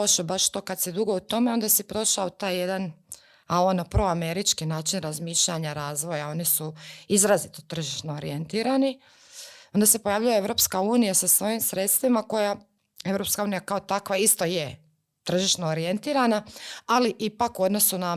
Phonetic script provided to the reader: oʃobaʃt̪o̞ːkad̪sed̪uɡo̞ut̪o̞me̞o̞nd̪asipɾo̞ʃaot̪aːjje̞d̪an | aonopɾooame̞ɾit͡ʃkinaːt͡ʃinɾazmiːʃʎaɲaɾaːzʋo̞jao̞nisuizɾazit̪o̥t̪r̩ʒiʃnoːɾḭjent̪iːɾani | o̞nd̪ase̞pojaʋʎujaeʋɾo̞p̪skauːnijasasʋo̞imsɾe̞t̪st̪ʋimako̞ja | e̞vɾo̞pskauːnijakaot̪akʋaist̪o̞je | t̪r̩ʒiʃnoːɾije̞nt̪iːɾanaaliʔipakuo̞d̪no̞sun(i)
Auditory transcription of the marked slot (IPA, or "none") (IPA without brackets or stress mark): a